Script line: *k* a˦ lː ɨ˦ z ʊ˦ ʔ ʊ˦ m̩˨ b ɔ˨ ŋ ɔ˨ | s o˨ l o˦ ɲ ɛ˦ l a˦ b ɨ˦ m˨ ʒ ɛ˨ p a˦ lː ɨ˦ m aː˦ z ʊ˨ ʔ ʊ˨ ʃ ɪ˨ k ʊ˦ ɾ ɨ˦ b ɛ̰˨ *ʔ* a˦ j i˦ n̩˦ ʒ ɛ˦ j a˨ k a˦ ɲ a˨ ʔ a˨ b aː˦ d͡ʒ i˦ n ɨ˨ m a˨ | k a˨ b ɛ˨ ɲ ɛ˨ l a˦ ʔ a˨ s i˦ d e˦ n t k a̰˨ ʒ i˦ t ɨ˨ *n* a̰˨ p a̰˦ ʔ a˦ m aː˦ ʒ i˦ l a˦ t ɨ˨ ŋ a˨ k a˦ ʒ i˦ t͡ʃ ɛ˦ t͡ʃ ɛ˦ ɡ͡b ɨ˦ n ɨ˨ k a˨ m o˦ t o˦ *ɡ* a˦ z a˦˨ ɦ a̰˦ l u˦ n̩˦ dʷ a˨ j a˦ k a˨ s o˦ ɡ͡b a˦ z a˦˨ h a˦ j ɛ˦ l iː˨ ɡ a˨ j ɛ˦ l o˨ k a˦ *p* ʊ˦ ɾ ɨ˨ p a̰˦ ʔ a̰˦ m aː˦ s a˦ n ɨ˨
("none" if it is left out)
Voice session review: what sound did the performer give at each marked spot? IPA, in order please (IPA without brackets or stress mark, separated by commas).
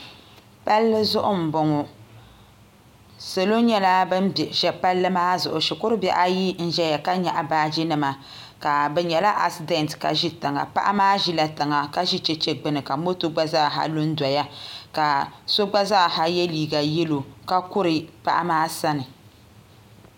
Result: p, ʔ, ŋ, ɡ͡b, k